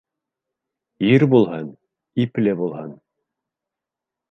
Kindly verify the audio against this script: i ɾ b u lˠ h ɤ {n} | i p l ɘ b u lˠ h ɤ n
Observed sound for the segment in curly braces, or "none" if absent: n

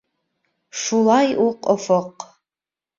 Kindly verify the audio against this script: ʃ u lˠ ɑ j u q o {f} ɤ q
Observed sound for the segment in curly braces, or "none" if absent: f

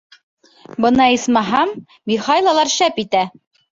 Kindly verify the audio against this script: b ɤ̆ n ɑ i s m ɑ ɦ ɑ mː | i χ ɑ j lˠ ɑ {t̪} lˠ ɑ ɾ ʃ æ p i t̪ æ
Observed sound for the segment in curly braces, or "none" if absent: none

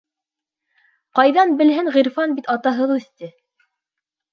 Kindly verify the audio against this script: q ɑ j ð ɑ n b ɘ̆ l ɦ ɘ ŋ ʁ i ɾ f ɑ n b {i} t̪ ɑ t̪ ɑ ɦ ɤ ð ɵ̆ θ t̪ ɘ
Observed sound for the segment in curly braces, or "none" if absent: i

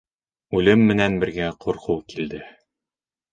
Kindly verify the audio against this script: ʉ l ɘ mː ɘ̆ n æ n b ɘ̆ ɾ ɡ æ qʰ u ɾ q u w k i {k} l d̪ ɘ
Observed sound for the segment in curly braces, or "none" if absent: none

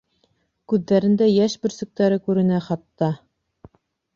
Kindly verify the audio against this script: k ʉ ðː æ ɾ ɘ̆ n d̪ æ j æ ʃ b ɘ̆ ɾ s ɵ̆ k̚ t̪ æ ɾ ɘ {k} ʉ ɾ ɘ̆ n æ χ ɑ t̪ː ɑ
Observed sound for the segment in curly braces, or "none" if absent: k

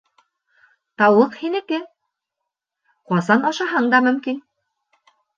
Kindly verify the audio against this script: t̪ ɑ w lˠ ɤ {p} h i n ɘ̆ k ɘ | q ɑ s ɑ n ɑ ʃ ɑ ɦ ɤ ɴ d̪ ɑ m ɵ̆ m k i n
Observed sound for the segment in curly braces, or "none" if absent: q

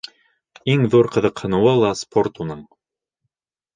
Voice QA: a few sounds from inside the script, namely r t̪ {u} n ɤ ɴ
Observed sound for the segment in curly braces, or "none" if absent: u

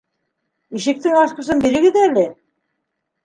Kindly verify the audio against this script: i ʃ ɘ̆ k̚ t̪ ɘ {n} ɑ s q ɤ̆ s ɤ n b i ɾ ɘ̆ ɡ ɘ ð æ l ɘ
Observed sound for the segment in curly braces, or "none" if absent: ŋ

